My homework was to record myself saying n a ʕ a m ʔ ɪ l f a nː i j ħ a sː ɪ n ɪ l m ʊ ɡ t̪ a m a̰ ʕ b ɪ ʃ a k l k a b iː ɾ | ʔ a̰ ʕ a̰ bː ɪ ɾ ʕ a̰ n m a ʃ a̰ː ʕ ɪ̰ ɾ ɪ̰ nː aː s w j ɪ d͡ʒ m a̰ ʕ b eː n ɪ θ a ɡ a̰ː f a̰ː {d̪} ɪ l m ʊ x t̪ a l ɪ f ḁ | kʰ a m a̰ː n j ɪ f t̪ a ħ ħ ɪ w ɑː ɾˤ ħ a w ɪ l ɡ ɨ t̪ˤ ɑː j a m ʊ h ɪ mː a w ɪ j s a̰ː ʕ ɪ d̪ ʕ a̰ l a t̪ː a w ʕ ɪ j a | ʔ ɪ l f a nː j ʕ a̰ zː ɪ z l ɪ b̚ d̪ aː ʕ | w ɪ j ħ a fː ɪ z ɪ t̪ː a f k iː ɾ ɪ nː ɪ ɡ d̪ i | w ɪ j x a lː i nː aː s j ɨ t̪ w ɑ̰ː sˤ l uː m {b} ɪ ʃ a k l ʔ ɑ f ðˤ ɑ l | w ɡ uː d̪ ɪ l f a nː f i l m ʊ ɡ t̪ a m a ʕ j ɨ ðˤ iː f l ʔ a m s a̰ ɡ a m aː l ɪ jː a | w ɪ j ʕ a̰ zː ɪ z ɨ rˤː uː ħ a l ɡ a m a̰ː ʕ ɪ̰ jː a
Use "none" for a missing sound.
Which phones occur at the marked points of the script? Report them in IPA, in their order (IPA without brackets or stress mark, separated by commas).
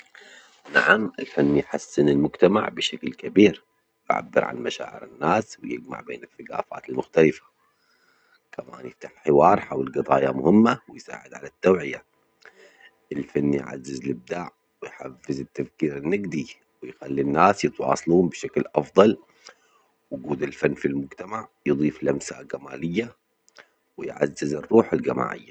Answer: t̪, b